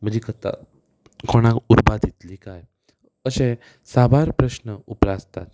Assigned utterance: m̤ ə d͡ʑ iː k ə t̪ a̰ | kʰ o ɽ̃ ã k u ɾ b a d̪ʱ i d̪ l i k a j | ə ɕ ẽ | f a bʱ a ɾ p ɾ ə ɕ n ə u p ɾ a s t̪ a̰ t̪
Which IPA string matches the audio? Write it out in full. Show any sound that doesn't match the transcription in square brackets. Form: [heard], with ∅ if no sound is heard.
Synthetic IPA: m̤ ə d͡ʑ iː k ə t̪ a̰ | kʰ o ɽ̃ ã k u ɾ b a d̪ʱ i [t̪] l i k a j | ə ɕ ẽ | [s] a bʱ a ɾ p ɾ ə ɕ n ə u p ɾ a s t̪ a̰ t̪